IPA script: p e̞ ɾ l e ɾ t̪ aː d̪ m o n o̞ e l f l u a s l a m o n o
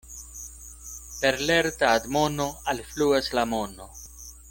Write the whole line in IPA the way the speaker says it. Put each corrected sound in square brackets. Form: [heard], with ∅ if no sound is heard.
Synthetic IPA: p e̞ ɾ l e ɾ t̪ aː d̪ m o n o̞ [a] l f l u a s l a m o n o